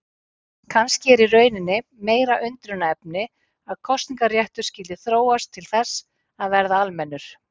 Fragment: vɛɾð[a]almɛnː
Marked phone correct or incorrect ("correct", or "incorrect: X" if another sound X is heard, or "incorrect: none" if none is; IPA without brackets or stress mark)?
correct